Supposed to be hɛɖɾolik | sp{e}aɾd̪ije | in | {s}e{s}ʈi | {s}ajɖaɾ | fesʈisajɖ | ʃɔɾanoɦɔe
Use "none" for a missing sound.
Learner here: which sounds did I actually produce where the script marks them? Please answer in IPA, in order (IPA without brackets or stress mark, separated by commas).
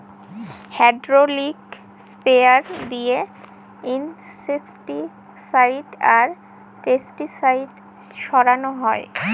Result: e, s, s, s